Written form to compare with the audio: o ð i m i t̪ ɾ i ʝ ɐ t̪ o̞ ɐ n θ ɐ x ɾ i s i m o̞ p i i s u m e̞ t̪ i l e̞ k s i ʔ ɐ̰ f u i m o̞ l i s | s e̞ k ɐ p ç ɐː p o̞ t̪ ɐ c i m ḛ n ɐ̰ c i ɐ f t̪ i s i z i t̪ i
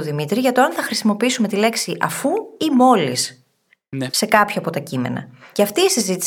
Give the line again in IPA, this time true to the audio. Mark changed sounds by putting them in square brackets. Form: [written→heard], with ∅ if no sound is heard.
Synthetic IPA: o ð i m i t̪ ɾ i ʝ ɐ t̪ o̞ ɐ n θ ɐ x ɾ i s i m o̞ p i i s u m e̞ t̪ i l e̞ k s i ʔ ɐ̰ f u i m o̞ l i s | s e̞ k ɐ p ç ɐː p o̞ t̪ ɐ c i m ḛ n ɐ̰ c [i→e] ɐ f t̪ [i→iː] s i z i t̪ i